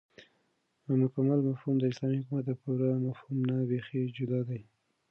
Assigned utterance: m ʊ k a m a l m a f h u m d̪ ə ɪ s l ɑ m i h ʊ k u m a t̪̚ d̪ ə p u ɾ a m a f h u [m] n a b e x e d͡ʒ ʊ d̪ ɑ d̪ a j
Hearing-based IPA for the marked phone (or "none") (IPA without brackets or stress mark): m